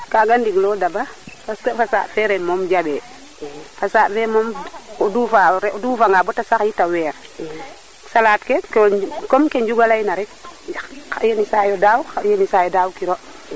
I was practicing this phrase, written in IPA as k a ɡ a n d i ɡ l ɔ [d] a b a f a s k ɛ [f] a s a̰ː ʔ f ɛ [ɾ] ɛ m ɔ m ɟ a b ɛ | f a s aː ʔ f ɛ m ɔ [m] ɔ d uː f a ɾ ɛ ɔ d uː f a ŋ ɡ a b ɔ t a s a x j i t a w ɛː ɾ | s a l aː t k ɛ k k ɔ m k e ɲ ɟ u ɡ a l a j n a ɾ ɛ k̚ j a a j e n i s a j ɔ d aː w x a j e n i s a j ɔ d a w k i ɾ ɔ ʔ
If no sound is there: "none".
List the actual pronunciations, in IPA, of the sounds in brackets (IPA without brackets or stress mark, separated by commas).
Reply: d, f, ɾ, m